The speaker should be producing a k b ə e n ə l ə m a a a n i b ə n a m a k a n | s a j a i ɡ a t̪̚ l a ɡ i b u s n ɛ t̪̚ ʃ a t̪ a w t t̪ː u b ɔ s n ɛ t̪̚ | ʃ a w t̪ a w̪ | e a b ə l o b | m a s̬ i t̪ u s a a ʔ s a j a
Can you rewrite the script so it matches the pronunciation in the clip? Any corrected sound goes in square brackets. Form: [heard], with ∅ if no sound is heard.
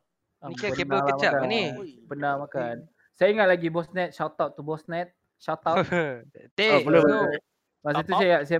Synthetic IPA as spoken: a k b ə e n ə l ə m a a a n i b ə n a m a k a n | s a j a i [ŋ] a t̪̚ l a ɡ i b [ɔ] s n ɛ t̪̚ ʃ a t̪ a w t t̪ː u b ɔ s n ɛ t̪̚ | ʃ a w t̪ a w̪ | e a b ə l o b | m a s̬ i t̪ u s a a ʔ s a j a